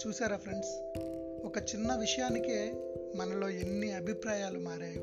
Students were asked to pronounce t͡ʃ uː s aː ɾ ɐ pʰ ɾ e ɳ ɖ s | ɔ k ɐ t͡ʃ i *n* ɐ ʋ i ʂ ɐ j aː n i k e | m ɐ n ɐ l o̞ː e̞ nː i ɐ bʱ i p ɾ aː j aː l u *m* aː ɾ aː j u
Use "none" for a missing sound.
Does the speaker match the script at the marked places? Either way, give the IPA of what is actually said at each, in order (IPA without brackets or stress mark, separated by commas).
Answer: nː, m